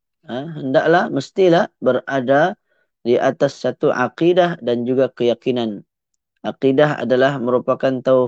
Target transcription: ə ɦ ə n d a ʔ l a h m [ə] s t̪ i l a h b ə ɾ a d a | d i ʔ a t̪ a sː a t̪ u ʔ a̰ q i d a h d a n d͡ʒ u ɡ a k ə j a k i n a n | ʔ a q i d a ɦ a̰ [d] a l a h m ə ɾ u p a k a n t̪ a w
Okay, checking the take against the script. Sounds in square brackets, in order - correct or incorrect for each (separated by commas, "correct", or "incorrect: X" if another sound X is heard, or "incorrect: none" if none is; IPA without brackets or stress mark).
correct, correct